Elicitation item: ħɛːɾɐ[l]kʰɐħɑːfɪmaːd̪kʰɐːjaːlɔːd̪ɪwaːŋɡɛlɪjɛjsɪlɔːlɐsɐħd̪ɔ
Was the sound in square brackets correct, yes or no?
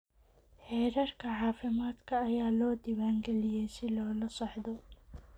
no